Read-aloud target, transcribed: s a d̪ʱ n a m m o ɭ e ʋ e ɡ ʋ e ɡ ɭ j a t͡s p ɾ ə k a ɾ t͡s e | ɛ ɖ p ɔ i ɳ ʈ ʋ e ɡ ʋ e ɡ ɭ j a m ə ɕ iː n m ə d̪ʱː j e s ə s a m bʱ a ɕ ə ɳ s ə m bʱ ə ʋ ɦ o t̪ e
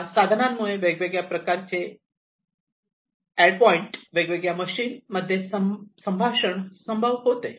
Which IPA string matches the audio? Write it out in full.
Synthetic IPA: s a d̪ʱ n a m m u ɭ e ʋ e ɡ ʋ e ɡ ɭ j a p ɾ ə k a ɾ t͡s e | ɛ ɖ p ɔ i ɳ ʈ ʋ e ɡ ʋ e ɡ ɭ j a m ə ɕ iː n m ə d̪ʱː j e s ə s ə m bʱ a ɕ ə ɳ s ə m bʱ ə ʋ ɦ o t̪ e